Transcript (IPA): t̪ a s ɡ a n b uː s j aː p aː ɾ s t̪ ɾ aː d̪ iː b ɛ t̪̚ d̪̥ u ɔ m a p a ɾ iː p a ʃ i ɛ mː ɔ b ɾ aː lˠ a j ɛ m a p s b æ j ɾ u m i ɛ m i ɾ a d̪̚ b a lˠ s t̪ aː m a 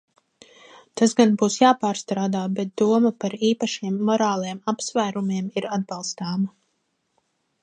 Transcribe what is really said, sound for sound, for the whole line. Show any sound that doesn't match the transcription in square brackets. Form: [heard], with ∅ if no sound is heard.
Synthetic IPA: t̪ a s ɡ a n b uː s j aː p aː ɾ s t̪ ɾ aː d̪ [aː] b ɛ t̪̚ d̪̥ u ɔ m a p a ɾ iː p a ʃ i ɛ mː ɔ [∅] ɾ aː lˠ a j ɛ m a p s [v] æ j ɾ u m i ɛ m i ɾ a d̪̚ b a lˠ s t̪ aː m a